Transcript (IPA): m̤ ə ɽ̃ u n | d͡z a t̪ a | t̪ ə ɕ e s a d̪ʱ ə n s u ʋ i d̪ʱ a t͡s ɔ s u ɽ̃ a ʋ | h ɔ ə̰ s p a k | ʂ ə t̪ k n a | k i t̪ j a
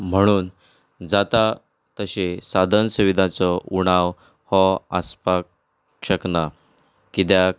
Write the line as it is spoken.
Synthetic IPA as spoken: m̤ ə ɽ̃ uː n | d͡z a t̪ a | t̪ ə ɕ e s a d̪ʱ ə n s u ʋ i d̪ʱ a t͡s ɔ u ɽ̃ a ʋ | h ɔ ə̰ s p a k | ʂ ə k n a | k i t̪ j a